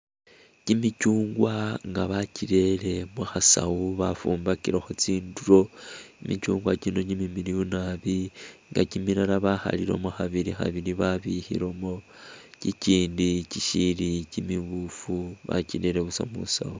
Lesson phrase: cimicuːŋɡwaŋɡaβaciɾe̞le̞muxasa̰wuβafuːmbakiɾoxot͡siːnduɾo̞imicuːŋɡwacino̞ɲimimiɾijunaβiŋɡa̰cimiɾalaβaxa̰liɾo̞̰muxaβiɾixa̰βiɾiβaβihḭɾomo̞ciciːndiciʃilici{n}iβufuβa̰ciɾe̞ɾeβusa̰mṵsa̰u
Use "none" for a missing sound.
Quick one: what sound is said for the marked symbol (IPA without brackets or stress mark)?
m